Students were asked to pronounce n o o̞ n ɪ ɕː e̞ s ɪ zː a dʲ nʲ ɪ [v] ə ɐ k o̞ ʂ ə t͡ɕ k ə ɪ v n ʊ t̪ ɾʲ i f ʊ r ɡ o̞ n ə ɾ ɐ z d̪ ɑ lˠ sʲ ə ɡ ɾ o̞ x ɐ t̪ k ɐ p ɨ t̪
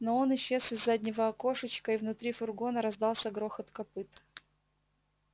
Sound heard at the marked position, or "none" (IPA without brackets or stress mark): v